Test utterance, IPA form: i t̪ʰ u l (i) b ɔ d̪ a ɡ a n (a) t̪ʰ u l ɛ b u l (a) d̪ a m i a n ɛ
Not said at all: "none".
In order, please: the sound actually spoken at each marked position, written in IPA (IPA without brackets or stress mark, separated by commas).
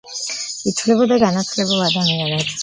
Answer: ɛ, a, a